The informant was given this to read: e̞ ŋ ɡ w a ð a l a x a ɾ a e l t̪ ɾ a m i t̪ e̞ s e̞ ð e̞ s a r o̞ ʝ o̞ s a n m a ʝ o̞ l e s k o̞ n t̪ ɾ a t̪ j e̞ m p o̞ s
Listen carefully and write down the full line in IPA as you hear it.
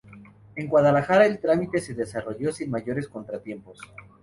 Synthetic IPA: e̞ ŋ ɡ w a ð a l a x a ɾ a e l t̪ ɾ a m i t̪ e̞ s e̞ ð e̞ s a r o̞ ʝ o̞ s i n m a ʝ o̞ ɾ e s k o̞ n t̪ ɾ a t̪ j e̞ m p o̞ s

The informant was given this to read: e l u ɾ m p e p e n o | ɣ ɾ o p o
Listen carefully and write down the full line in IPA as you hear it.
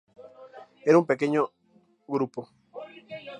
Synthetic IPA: e ɾ u m p e k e ɲ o | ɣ ɾ u p o

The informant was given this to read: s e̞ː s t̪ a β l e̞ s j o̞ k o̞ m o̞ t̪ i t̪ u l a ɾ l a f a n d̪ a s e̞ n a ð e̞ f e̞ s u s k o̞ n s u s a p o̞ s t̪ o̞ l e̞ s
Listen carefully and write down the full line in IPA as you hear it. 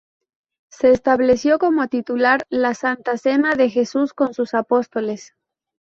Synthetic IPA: s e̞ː s t̪ a β l e̞ s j o̞ k o̞ m o̞ t̪ i t̪ u l a ɾ l a s a n t̪ a s e̞ n a ð e̞ x e̞ s u s k o̞ n s u s a p o̞ s t̪ o̞ l e̞ s

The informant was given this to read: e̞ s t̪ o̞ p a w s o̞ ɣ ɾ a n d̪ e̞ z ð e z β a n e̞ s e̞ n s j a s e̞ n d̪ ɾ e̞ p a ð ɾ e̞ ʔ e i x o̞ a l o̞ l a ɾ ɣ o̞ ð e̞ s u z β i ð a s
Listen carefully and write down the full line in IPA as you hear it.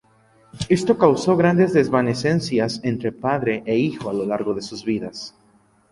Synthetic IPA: e̞ s t̪ o̞ k a w s o̞ ɣ ɾ a n d̪ e̞ z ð e z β a n e̞ s e̞ n s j a s e̞ n t̪ ɾ e̞ p a ð ɾ e̞ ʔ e i x o̞ a l o̞ l a ɾ ɣ o̞ ð e̞ s u z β i ð a s

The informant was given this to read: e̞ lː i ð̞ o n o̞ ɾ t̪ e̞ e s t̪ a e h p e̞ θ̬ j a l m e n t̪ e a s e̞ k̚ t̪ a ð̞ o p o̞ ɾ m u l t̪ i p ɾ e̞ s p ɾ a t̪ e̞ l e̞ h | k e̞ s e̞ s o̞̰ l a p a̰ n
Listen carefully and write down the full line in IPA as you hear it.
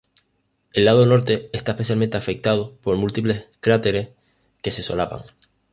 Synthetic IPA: e̞ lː a ð̞ o n o̞ ɾ t̪ e̞ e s t̪ a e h p e̞ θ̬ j a l m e n t̪ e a f e̞ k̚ t̪ a ð̞ o p o̞ ɾ m u l t̪ i p l e̞ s k ɾ a t̪ e̞ ɾ e̞ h | k e̞ s e̞ s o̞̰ l a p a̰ ŋ

